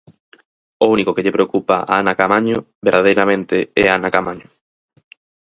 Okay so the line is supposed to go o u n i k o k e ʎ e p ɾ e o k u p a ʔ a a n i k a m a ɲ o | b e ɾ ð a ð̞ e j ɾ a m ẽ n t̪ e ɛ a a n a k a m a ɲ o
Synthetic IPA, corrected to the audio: o u n i k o k e ʎ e p ɾ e o k u p a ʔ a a n a k a m a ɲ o | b e ɾ ð a ð̞ e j ɾ a m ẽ n t̪ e ɛ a a n a k a m a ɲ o